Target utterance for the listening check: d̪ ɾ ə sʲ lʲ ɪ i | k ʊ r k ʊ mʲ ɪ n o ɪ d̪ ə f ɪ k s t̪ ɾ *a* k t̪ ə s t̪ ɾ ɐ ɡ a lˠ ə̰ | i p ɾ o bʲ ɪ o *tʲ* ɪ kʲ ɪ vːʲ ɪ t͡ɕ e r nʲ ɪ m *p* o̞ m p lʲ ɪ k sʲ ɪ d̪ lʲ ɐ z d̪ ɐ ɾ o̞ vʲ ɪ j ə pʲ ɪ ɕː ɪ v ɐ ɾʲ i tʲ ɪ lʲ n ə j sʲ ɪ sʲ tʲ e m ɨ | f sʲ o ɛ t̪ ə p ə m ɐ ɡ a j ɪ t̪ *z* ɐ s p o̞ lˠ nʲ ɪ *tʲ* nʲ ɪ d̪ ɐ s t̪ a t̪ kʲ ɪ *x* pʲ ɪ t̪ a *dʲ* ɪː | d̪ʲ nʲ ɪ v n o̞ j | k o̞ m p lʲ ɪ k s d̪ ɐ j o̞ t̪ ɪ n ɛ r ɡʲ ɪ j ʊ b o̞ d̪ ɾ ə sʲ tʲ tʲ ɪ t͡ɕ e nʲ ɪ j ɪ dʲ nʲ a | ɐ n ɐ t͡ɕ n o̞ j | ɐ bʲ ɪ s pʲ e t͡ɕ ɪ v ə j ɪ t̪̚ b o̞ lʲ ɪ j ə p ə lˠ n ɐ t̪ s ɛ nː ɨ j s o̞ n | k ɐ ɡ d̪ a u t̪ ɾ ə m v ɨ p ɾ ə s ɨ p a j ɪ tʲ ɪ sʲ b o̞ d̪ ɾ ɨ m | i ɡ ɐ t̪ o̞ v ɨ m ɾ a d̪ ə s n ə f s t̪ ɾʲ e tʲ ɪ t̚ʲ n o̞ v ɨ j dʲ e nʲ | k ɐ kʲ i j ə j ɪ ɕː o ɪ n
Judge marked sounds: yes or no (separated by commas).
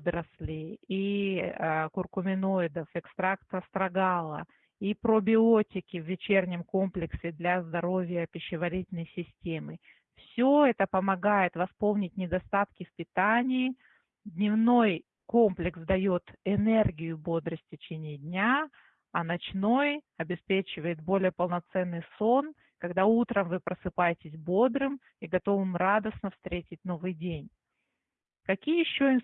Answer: yes, yes, no, no, yes, no, no